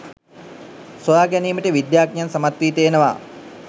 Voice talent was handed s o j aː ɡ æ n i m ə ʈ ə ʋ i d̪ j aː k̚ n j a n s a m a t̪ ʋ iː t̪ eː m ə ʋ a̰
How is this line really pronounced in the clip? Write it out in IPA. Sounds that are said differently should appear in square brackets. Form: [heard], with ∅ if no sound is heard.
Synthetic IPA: s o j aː ɡ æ n [iː] m ə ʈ ə ʋ i d̪ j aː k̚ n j a n s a m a t̪ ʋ iː t̪ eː [n] ə ʋ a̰